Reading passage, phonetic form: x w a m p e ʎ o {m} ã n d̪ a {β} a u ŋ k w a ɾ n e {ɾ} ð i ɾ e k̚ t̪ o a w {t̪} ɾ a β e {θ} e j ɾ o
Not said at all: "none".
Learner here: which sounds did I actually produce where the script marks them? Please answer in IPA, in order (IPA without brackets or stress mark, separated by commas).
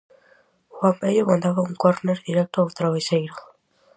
m, β, ɾ, t̪, s